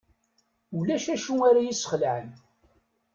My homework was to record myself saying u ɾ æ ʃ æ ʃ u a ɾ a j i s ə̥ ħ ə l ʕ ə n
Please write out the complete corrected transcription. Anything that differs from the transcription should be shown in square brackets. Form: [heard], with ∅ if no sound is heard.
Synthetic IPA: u [l] æ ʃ æ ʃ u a ɾ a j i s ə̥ [χ] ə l ʕ ə n